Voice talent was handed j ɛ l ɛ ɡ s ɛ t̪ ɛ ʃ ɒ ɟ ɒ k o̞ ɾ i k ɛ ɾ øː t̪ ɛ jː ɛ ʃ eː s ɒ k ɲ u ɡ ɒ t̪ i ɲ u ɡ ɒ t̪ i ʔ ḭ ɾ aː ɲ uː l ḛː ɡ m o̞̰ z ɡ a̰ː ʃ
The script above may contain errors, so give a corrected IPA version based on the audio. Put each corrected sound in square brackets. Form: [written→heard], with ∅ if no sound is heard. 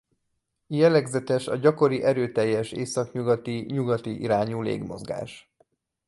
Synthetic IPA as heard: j ɛ l ɛ ɡ [s→z] ɛ t̪ ɛ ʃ ɒ ɟ ɒ k o̞ ɾ i [k→ʔ] ɛ ɾ øː t̪ ɛ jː ɛ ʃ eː s ɒ k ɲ u ɡ ɒ t̪ i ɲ u ɡ ɒ t̪ i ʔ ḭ ɾ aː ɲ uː l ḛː ɡ m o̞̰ z ɡ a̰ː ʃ